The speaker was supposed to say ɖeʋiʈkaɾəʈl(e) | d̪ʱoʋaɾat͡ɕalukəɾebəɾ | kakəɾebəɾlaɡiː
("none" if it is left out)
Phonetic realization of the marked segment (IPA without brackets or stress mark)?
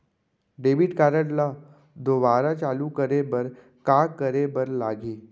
a